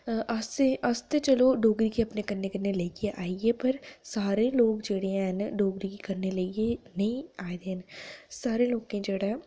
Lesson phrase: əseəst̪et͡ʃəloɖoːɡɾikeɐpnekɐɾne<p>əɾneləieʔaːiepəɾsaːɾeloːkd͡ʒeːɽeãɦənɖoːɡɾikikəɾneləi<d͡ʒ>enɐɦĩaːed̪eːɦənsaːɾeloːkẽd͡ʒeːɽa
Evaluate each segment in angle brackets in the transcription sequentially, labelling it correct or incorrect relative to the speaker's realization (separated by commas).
incorrect, incorrect